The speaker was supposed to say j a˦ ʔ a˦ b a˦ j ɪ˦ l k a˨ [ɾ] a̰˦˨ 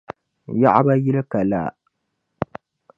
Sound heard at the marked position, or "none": l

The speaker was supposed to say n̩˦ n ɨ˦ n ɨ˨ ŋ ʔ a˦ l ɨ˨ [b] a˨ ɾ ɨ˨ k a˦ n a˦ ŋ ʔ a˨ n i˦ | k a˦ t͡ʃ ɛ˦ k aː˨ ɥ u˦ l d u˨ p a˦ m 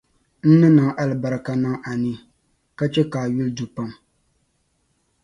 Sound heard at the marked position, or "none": b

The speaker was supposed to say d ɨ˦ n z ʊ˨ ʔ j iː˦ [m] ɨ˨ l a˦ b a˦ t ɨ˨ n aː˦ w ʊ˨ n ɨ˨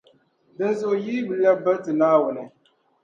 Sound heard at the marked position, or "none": b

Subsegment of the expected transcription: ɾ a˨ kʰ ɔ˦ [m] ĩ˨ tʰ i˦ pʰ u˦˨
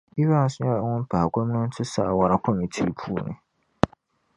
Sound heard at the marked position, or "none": m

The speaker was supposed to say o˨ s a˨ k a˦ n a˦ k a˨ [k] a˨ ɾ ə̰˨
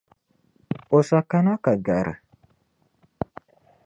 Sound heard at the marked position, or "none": ɡ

